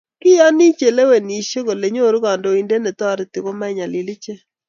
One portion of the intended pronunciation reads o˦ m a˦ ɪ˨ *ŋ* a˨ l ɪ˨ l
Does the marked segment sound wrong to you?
yes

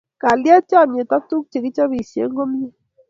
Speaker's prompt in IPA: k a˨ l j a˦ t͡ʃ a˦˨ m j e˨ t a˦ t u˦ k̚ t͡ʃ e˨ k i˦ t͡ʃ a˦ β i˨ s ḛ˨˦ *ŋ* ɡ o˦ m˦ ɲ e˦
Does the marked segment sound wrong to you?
no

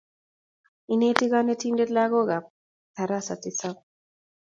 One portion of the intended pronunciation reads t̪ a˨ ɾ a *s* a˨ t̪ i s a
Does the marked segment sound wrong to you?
no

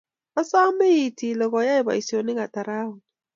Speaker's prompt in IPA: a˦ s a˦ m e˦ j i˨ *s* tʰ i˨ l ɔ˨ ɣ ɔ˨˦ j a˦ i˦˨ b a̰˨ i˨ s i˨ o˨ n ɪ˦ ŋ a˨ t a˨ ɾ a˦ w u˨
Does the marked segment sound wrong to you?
yes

